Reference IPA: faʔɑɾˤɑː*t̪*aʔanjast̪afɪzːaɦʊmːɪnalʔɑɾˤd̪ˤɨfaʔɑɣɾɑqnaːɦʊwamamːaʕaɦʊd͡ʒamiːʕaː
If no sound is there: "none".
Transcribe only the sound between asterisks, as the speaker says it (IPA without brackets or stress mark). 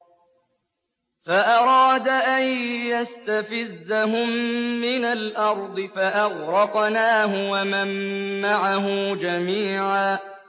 d̪